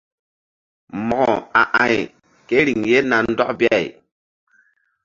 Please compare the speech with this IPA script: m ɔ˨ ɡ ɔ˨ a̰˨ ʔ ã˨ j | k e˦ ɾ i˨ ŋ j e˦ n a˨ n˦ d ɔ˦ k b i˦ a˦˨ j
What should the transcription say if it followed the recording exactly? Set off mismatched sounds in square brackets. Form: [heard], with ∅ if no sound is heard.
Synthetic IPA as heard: m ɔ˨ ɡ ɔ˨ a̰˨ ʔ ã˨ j | k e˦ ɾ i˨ ŋ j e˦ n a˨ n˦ d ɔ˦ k b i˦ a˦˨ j

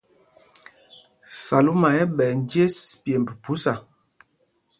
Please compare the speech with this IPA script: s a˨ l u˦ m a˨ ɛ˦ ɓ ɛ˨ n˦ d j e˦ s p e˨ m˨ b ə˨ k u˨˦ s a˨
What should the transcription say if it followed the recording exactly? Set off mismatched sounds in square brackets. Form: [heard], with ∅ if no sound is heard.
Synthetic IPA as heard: s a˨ l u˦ m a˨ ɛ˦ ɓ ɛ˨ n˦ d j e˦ s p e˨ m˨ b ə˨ [p] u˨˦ s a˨

